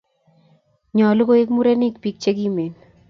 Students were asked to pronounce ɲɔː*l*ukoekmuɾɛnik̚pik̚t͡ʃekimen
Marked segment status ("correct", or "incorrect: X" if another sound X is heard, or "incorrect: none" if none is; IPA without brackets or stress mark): correct